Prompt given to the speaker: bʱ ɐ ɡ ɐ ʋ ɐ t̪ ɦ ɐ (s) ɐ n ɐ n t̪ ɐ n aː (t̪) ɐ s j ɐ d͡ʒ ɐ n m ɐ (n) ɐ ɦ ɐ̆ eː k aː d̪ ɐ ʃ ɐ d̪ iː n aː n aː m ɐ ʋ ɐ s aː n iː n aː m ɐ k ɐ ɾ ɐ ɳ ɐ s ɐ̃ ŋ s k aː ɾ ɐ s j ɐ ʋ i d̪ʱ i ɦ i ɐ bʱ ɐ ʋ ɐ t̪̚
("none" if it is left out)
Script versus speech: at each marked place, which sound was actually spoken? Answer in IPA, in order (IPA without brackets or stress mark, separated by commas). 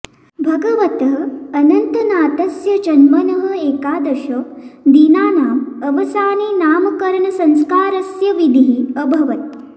none, t̪, n